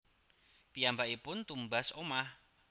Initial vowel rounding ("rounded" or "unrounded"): unrounded